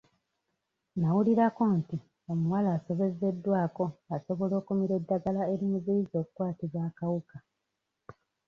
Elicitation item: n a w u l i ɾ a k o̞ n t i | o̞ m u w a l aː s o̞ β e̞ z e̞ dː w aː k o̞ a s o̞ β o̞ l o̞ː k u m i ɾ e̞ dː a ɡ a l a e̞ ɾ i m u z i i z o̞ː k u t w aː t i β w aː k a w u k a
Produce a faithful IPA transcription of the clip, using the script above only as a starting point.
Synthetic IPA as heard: n a w u l i ɾ a k o̞ n t i | o̞ m u w a l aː s o̞ β e̞ z e̞ dː w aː k o̞ a s o̞ β o̞ l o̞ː k u m i ɾ e̞ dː a ɡ a l a e̞ ɾ i m u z i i z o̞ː k u k w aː t i β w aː k a w u k a